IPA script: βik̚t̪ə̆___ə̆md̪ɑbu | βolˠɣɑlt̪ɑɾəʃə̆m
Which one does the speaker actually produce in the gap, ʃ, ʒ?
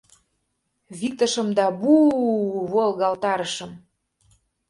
ʃ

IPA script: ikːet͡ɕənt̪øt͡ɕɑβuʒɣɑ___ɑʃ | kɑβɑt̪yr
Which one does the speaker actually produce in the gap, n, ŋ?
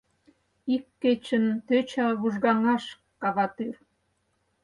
ŋ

